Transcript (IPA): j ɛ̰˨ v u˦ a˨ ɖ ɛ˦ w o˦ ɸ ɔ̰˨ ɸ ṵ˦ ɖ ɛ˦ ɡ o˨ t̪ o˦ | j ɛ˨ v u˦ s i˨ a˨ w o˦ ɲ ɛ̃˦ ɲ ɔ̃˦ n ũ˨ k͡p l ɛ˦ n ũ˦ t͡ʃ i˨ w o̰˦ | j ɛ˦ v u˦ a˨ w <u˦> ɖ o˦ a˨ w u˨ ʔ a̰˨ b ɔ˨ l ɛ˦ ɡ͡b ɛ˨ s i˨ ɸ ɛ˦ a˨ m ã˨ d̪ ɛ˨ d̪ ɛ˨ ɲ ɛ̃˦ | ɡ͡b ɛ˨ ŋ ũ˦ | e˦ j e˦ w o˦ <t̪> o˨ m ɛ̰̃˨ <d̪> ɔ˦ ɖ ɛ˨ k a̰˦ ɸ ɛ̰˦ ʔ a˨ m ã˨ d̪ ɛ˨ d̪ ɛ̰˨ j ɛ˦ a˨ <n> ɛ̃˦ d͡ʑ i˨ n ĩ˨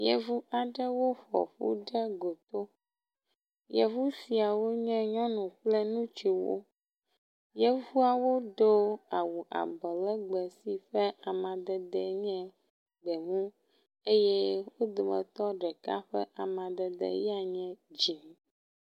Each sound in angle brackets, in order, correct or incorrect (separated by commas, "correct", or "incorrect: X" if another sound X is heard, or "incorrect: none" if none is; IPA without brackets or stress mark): incorrect: o˦, incorrect: d̪, incorrect: t̪, incorrect: ɲ